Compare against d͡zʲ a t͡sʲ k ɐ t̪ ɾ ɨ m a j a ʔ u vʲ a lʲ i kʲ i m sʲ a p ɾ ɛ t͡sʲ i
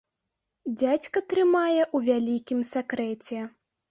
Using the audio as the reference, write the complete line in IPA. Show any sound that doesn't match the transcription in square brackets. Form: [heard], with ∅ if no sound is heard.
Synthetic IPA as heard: d͡zʲ a t͡sʲ k ɐ t̪ ɾ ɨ m a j [ɛ] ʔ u vʲ a lʲ i kʲ i m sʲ a [k] ɾ ɛ t͡sʲ [ɛ]